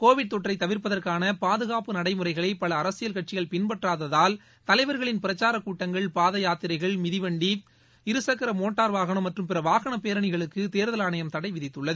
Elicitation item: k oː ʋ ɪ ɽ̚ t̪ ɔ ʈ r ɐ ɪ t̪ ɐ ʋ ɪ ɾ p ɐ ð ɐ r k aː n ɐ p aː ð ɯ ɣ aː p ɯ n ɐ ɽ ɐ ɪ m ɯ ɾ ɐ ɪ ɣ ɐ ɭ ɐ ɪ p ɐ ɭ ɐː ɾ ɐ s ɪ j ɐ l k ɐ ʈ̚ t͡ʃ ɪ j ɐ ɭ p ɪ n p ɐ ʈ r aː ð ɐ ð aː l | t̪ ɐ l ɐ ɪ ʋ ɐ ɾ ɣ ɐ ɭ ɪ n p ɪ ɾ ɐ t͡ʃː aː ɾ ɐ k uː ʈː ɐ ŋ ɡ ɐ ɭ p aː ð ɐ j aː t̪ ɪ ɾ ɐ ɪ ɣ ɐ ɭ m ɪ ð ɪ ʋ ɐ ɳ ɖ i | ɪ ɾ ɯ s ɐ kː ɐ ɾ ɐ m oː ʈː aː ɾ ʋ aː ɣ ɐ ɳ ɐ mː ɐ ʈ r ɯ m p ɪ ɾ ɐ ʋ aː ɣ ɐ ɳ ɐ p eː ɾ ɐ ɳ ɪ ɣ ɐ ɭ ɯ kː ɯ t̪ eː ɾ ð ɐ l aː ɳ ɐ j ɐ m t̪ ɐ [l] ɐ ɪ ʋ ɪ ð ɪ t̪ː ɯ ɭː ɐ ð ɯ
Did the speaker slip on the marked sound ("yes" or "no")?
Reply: yes